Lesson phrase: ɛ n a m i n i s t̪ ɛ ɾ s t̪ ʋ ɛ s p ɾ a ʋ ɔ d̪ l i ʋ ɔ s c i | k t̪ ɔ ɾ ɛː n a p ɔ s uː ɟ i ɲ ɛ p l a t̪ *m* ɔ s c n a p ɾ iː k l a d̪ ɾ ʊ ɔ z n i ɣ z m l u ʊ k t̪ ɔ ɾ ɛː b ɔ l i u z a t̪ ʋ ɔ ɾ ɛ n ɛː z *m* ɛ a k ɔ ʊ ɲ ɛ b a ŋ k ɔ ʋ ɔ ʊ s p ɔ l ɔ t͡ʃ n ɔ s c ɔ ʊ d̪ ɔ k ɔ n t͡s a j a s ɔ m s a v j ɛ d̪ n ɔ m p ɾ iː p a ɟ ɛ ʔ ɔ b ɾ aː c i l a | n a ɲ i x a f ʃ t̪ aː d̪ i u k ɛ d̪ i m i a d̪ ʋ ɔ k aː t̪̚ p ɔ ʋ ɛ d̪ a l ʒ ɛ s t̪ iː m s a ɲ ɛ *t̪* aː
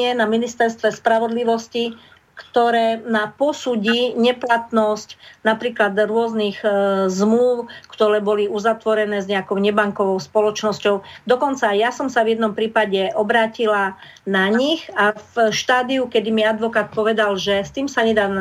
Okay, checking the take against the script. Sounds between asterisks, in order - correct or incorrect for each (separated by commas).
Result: incorrect, incorrect, incorrect